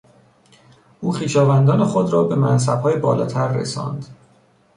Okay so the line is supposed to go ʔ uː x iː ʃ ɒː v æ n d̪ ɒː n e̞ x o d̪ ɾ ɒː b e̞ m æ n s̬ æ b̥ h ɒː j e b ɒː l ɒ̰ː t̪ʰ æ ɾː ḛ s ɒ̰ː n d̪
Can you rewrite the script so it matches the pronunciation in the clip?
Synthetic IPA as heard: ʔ uː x iː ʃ ɒː v æ n d̪ ɒː n e̞ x o d̪ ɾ ɒː b e̞ m æ n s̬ æ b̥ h ɒː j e b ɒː l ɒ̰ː t̪ʰ æ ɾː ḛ s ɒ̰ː n d̪